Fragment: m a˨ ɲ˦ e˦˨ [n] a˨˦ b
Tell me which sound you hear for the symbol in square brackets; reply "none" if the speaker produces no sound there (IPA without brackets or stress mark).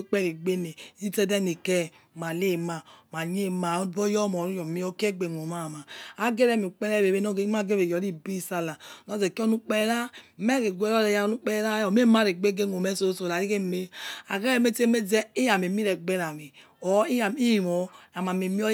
m